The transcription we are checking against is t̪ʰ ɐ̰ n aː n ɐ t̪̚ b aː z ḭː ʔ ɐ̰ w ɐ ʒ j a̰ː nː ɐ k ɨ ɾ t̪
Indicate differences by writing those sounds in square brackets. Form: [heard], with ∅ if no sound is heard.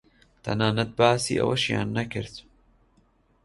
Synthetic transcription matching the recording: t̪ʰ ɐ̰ n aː n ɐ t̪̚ b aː [s] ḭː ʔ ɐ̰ w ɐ [ʃ] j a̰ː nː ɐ k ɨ ɾ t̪

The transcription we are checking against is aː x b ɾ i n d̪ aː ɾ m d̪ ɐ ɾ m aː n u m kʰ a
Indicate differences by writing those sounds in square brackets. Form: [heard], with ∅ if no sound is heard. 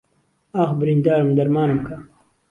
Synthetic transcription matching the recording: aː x b ɾ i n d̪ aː ɾ m d̪ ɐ ɾ m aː n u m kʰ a

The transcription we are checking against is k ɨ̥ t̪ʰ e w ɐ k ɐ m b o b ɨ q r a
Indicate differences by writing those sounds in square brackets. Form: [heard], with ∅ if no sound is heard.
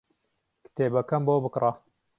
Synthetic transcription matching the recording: k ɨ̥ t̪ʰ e [b] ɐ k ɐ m b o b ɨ [k] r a

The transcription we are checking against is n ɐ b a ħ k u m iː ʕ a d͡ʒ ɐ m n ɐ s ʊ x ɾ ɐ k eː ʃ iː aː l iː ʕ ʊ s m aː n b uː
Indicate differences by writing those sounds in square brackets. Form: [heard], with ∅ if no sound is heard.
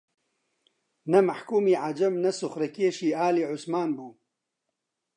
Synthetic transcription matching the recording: n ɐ [m] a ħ k [uː] m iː ʕ a d͡ʒ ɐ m n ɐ s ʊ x ɾ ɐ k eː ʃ iː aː l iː ʕ ʊ s m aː n b uː

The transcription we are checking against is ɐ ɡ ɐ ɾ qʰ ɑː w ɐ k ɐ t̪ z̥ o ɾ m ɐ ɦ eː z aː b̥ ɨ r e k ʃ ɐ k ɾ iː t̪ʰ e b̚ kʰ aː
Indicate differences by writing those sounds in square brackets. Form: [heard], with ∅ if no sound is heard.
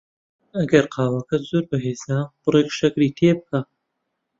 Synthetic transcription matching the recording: ɐ ɡ ɐ ɾ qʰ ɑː w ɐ k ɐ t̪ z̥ o ɾ [b] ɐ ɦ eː z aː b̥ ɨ r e k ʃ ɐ k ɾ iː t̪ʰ e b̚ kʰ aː

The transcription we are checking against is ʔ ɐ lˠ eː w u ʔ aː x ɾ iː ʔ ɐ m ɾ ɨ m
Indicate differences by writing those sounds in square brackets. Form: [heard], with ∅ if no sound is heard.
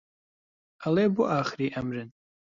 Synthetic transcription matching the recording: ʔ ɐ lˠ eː [b] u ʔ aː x ɾ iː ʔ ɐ m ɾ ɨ [n]

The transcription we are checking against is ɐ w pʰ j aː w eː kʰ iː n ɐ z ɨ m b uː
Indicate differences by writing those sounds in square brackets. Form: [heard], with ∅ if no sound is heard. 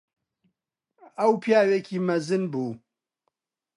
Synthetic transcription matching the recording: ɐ w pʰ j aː w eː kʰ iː [m] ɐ z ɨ [n] b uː

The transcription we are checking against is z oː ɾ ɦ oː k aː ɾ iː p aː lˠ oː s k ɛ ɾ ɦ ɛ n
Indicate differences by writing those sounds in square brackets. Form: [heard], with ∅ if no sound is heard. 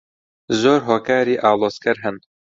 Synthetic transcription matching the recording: z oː ɾ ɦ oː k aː ɾ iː [ʔ] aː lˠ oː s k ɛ ɾ ɦ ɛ n

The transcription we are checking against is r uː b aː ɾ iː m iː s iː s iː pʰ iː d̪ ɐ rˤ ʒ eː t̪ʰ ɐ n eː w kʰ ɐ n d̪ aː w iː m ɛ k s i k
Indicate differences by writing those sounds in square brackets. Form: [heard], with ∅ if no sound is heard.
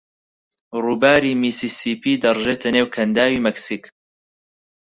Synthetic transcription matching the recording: r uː b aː ɾ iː m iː s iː s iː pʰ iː d̪ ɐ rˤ ʒ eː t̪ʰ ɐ n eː w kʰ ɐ n d̪ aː w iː m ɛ k s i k

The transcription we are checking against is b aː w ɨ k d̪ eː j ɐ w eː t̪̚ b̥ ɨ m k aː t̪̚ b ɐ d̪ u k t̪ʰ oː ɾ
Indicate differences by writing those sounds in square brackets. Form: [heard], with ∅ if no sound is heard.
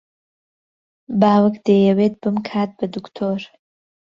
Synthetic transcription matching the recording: b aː w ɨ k d̪ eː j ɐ w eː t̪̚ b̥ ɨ m [kʰ] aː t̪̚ b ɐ d̪ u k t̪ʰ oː ɾ

